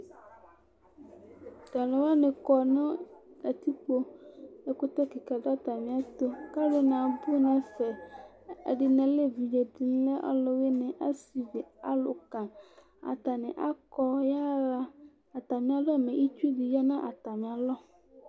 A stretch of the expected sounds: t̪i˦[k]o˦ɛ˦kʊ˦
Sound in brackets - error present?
yes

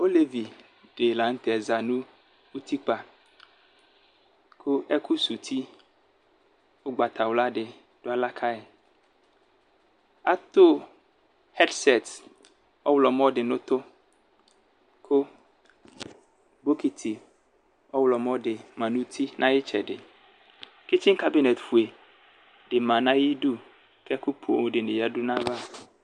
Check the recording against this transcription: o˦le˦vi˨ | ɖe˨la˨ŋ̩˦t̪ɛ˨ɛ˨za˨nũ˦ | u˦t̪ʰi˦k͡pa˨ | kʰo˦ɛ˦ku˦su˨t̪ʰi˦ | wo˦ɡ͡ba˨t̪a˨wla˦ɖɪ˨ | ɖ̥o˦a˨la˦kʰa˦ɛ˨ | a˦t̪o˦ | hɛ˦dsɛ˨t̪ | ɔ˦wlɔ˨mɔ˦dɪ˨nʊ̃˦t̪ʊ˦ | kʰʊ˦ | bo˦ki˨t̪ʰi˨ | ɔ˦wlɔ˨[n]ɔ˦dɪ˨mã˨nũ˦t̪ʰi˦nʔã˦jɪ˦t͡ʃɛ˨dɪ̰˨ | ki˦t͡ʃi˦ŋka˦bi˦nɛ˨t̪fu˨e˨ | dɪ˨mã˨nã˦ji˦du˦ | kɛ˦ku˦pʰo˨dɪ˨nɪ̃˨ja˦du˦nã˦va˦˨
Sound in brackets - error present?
yes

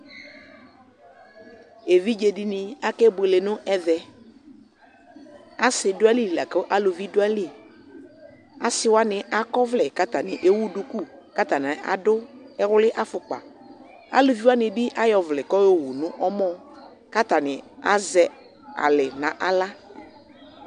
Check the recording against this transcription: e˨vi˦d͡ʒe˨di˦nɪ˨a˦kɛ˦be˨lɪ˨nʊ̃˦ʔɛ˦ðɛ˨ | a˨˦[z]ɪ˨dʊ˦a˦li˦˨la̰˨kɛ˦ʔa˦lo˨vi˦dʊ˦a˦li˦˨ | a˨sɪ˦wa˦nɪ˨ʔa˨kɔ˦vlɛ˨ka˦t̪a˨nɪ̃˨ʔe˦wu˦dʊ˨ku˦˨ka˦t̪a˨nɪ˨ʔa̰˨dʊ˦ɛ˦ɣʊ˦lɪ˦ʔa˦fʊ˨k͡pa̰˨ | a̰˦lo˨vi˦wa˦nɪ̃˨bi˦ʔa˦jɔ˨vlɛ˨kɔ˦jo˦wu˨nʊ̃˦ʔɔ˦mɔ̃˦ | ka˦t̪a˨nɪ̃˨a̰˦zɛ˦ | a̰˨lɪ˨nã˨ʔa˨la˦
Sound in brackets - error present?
yes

